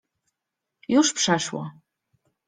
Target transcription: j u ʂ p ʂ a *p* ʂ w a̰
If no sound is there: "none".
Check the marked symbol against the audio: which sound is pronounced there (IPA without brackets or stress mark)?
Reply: none